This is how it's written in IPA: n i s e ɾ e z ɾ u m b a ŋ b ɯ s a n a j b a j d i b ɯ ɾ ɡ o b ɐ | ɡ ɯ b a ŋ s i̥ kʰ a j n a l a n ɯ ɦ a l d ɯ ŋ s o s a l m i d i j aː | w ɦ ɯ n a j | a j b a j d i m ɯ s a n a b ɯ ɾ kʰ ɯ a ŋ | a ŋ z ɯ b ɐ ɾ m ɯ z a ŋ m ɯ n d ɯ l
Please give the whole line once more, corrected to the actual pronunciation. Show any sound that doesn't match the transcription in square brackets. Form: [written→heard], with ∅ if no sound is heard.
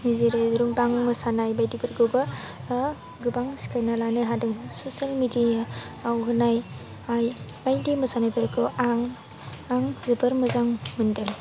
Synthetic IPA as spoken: n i [s→z] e ɾ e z ɾ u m b a ŋ [b→m] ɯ s a n a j b a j d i b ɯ ɾ ɡ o b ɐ | ɡ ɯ b a ŋ s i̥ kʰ a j n a l a n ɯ ɦ a [l→∅] d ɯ ŋ s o s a l m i d i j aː | w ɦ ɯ n a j | a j b a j d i m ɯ s a n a b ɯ ɾ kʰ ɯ a ŋ | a ŋ z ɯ b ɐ ɾ m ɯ z a ŋ m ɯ n d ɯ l

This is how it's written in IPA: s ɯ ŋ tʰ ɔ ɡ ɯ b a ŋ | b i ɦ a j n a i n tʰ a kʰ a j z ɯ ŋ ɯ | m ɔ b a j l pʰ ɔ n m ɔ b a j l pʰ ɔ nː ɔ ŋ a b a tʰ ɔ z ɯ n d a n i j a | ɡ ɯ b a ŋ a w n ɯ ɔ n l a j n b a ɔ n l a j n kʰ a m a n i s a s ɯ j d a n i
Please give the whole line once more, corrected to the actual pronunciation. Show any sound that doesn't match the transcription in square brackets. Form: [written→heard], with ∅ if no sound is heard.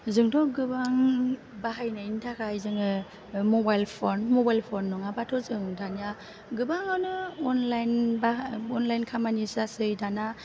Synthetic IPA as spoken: [s→z] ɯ ŋ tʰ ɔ ɡ ɯ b a ŋ | b [i→a] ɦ a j n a i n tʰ a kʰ a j z ɯ ŋ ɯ | m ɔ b a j l pʰ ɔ n m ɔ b a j l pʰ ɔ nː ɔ ŋ a b a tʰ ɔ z ɯ [n→ŋ] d a n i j a | ɡ ɯ b a ŋ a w n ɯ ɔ n l a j n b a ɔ n l a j n kʰ a m a n i s a s ɯ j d a n [i→a]

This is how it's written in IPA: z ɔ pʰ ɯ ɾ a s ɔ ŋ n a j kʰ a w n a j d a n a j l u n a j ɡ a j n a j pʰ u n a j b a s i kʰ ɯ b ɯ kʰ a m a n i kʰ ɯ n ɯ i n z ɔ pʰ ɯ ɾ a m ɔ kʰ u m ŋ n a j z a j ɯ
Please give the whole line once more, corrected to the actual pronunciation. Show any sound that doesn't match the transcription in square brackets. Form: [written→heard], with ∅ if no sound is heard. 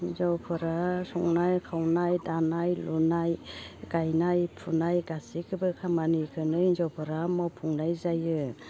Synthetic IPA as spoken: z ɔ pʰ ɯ ɾ a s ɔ ŋ n a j kʰ a w n a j d a n a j l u n a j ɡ a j n a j pʰ u n a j [b→ɡ] a s i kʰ ɯ b ɯ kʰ a m a n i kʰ ɯ n ɯ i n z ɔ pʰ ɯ ɾ a m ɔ [kʰ→pʰ] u [m→∅] ŋ n a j z a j ɯ

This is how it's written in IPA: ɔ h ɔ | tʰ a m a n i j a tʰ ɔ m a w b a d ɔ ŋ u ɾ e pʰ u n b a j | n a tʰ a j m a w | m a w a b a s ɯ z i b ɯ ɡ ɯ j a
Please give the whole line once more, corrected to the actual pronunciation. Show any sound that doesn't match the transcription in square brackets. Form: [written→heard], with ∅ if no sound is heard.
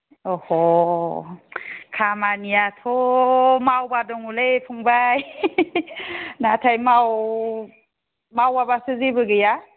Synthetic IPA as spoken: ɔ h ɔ | [tʰ→kʰ] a m a n i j a tʰ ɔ m a w b a d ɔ ŋ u [ɾ→l] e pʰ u [n→ŋ] b a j | n a tʰ a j m a w | m a w a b a s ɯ z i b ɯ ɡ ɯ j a

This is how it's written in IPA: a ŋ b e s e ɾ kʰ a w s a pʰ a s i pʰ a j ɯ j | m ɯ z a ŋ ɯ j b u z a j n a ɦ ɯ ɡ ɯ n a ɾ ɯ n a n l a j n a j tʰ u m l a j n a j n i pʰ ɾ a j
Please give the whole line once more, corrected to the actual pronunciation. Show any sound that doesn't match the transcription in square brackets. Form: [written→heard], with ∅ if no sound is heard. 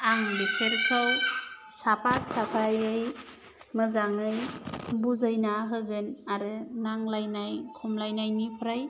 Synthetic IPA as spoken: a ŋ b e s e ɾ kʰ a w s a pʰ a s [i→a] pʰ a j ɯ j | m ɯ z a ŋ ɯ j b u z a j n a ɦ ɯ ɡ ɯ n a ɾ ɯ n a [n→ŋ] l a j n a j [tʰ→kʰ] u m l a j n a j n i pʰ ɾ a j

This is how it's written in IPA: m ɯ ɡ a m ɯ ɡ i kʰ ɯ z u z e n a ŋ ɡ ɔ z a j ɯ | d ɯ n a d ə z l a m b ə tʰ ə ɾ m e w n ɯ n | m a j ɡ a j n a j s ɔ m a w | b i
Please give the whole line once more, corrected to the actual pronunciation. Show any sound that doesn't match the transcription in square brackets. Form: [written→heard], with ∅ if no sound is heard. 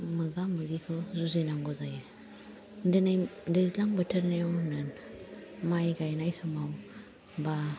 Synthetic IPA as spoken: m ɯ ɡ a m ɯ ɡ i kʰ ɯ z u z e n a ŋ ɡ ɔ z a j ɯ | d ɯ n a d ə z l a [m→ŋ] b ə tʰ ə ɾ [m→n] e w n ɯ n | m a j ɡ a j n a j s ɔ m a w | b [i→a]

